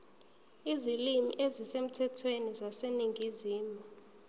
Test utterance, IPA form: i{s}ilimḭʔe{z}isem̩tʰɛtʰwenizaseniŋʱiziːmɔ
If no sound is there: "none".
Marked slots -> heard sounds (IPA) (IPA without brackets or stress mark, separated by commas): z, z